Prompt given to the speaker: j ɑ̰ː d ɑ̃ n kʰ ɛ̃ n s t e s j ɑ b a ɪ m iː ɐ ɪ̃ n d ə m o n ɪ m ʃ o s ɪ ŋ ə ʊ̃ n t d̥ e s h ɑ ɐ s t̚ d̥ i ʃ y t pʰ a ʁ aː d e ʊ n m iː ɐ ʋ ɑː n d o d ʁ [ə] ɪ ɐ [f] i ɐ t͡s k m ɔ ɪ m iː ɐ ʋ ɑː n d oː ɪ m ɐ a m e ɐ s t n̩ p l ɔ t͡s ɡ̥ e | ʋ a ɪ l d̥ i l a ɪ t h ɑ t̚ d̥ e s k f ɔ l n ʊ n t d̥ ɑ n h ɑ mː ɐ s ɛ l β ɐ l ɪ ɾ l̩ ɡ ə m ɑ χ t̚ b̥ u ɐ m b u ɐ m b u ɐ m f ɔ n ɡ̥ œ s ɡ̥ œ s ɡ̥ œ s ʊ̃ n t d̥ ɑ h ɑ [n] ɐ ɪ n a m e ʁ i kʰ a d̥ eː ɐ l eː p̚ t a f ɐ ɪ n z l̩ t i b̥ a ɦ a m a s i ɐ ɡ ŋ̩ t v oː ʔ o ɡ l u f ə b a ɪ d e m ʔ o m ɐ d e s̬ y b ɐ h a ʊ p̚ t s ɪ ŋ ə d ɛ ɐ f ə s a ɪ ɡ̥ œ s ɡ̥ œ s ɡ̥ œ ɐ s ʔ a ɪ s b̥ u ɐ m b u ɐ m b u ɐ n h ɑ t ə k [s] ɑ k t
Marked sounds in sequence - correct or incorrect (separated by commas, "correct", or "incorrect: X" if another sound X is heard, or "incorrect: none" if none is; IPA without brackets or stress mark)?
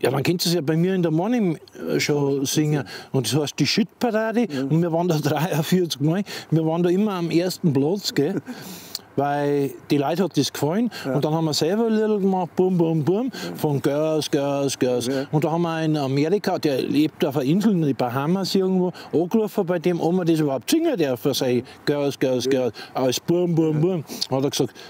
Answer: incorrect: a, correct, incorrect: m, correct